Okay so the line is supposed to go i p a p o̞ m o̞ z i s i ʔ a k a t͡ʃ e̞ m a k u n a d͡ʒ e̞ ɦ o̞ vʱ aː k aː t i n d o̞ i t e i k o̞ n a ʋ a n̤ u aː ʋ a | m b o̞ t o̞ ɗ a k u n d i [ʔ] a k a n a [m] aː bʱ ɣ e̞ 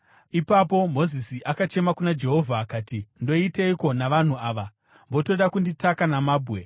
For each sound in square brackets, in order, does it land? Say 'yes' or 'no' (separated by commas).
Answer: no, yes